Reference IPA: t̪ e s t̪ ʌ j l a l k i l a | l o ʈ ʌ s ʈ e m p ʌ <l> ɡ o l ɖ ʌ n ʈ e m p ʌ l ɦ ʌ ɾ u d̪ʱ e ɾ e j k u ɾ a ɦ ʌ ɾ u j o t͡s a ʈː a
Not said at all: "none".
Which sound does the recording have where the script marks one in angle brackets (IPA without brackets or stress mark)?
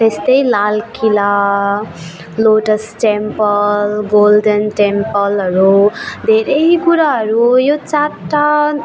l